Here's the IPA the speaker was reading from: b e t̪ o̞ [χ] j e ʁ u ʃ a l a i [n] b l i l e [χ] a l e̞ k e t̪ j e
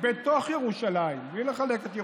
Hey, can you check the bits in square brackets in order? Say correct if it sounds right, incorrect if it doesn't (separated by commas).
correct, incorrect, correct